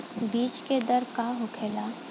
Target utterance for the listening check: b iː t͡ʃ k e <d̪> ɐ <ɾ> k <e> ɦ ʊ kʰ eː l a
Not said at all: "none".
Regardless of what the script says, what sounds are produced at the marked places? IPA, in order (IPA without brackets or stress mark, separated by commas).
d̪, ɾ, a